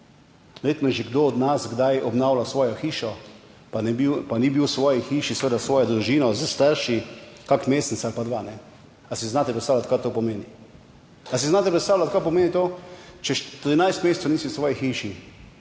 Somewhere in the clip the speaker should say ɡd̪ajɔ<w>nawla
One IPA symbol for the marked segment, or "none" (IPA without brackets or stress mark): b